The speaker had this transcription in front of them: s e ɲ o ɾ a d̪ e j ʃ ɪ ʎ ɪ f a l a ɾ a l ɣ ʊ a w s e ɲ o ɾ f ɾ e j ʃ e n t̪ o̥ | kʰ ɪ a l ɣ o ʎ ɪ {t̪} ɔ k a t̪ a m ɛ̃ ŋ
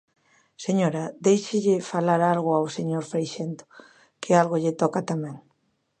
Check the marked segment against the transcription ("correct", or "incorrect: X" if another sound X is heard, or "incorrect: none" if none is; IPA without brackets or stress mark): correct